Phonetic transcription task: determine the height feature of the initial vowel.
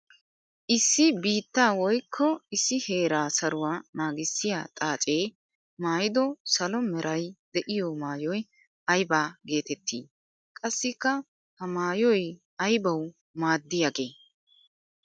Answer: high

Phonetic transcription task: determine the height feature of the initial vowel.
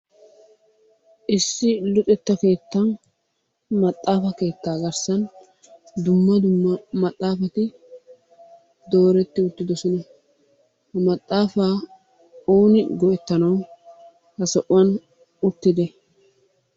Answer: high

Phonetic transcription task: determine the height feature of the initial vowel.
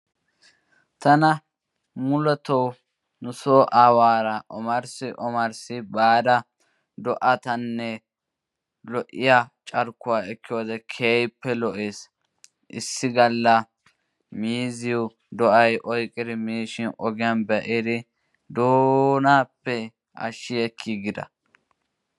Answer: low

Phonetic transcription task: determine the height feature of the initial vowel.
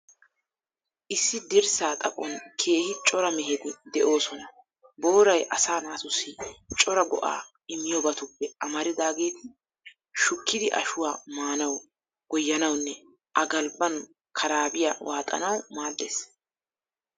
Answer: high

